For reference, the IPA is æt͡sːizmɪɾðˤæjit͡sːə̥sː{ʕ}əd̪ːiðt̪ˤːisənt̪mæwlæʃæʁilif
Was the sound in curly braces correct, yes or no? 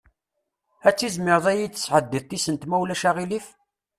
yes